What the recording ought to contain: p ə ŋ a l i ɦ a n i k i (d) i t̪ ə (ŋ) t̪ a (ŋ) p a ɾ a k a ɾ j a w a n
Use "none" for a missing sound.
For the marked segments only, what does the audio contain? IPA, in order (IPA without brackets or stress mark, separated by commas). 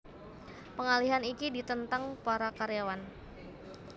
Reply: d, n, ŋ